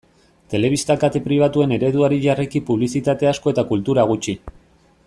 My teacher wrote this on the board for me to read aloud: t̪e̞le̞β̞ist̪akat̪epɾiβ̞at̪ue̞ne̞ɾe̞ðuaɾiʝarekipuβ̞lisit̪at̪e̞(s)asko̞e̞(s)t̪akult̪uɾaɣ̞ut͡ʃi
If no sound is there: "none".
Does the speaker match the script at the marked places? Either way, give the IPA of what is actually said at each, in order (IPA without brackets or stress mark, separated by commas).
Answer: none, none